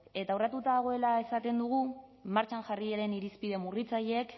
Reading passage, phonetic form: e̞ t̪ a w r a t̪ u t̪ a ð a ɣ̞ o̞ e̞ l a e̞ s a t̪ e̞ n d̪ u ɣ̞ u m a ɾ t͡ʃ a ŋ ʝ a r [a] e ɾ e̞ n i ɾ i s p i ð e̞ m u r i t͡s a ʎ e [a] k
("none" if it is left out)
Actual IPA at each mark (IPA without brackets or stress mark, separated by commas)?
i, e